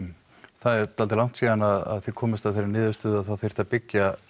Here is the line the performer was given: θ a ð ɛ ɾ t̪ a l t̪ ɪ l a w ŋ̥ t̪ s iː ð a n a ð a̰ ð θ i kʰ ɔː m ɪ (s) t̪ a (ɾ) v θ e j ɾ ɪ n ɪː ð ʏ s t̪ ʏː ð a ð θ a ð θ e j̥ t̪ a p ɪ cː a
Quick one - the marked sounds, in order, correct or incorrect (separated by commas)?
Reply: correct, incorrect